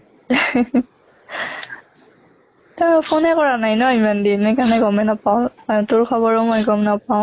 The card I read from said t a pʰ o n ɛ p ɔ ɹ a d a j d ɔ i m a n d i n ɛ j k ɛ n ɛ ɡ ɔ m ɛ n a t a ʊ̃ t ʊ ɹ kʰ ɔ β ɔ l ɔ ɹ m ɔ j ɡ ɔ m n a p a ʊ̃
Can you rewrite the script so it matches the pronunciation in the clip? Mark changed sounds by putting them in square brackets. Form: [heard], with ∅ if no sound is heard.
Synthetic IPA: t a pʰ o n ɛ [k] ɔ ɹ a [n] a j [n] ɔ i m a n d i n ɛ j k [a] n ɛ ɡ ɔ m ɛ n a [p] a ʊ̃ t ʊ ɹ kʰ ɔ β ɔ [ɹ] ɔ [∅] m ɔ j ɡ ɔ m n a p a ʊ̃

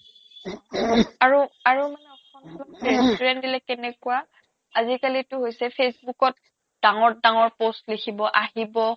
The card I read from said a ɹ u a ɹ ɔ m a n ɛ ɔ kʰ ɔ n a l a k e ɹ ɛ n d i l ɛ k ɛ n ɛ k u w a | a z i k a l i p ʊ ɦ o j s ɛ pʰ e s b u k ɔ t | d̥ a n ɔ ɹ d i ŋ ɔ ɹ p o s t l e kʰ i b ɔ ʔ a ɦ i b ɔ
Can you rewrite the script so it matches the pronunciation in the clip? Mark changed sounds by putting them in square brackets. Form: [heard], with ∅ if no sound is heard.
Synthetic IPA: a ɹ u a ɹ [u] m a n ɛ ɔ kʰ ɔ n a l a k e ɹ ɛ n d i l ɛ k ɛ n ɛ k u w a | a z i k a l i [t] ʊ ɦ o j s ɛ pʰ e s b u k ɔ t | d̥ a [ŋ] ɔ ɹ d [a] ŋ ɔ ɹ p o s t l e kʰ i b ɔ ʔ a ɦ i b ɔ

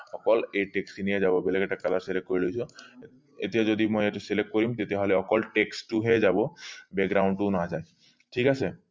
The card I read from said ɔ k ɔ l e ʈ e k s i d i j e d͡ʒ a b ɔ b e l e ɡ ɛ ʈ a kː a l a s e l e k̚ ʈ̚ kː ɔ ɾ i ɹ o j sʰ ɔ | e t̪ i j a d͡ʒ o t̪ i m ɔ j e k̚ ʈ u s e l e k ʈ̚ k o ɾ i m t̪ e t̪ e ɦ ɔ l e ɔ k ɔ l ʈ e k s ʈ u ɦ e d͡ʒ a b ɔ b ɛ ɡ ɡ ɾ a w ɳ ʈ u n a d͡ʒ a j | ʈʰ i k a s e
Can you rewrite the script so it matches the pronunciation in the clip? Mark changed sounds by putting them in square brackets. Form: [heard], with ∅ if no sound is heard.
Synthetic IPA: ɔ k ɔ l e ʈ e k s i [n] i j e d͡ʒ a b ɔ b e l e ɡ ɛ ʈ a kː a l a s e l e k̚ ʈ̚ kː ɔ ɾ i [l] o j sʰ ɔ | e t̪ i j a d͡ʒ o [d̪] i m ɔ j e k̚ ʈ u s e l e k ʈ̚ k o ɾ i m t̪ e t̪ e ɦ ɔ l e ɔ k ɔ l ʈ e k s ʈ u ɦ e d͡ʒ a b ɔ b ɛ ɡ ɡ ɾ a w ɳ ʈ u n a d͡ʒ a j | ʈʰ i k a s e

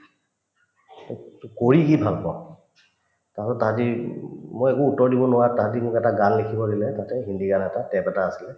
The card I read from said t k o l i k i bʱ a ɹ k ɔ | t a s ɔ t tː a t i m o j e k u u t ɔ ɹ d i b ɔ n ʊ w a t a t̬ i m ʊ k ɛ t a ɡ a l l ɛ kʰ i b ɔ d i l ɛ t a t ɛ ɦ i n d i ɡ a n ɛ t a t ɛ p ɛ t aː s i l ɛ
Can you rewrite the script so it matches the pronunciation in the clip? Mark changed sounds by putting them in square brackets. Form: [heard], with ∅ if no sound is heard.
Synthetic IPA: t k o [ɹ] i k i bʱ a [l] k ɔ | t a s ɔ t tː a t i m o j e k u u t ɔ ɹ d i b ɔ n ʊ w a t a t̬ i m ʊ k ɛ t a ɡ a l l [e] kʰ i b ɔ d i l ɛ t a t ɛ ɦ i n d i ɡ a n ɛ t a t ɛ p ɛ t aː s i l ɛ

